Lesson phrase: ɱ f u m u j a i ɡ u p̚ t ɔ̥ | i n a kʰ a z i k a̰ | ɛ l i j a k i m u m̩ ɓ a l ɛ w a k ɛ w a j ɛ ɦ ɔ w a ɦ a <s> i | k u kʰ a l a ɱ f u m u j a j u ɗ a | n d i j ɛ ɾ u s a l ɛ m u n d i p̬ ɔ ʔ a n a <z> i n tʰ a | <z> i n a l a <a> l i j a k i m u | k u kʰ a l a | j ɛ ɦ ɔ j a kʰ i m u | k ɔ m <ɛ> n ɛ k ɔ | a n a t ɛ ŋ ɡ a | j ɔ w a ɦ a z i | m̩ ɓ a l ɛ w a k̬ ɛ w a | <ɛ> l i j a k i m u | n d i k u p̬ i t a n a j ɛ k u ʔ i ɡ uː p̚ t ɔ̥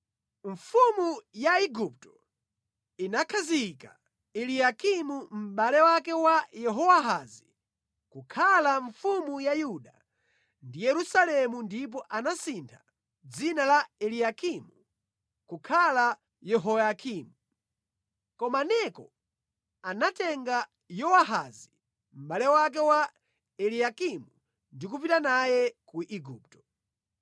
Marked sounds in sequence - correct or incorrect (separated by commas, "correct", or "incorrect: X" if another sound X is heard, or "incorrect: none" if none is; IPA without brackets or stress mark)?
incorrect: z, incorrect: s, incorrect: d͡z, incorrect: ɛ, incorrect: a, correct